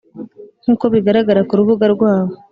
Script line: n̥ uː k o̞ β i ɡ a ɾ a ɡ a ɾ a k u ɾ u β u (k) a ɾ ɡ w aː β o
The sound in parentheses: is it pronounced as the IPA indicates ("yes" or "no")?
no